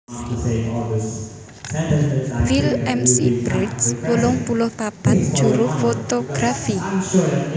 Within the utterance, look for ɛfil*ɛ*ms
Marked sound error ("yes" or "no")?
no